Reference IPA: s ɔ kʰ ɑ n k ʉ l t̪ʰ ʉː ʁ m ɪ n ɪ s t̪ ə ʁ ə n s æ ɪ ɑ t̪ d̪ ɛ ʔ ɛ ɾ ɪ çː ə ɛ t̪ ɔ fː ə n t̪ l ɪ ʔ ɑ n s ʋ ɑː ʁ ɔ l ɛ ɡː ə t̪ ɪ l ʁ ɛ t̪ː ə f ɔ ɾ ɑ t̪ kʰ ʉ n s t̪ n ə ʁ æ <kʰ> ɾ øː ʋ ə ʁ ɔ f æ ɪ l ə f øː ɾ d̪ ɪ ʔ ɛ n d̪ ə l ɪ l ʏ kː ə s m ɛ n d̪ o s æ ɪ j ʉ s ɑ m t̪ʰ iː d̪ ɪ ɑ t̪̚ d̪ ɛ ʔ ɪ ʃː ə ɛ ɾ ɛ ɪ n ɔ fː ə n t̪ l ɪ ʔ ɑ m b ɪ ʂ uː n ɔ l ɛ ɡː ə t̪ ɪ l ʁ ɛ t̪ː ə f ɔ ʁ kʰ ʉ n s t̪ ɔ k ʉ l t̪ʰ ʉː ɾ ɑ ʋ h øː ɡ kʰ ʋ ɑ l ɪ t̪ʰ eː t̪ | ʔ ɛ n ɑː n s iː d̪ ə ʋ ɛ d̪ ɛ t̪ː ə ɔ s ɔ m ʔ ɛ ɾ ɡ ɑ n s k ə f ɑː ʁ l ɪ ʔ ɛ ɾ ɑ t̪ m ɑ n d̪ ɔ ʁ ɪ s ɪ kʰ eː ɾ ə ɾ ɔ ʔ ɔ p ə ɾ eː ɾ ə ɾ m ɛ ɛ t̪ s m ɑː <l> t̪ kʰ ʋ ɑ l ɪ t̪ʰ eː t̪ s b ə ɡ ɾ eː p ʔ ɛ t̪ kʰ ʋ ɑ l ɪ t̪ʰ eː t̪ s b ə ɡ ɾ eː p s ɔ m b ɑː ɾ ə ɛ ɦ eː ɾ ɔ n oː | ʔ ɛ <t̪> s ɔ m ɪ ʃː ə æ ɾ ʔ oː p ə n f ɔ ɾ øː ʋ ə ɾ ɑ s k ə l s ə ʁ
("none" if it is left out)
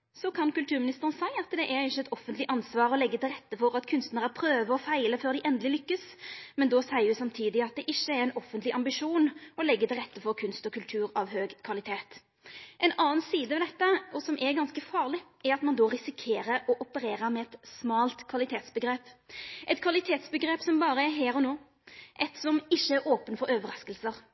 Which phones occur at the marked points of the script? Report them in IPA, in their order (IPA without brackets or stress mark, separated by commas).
pʰ, l, t̪